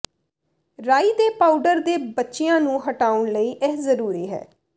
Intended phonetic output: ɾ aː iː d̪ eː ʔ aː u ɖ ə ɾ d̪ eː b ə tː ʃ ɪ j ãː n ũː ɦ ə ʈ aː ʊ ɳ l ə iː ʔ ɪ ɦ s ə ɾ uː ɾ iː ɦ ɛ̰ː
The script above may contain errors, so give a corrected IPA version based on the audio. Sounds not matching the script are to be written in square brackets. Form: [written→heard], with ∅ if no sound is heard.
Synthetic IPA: ɾ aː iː d̪ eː [ʔ→p] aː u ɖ ə ɾ d̪ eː b ə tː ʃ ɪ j ãː n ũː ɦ ə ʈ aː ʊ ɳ l ə iː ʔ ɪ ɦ [s→z] ə ɾ uː ɾ iː ɦ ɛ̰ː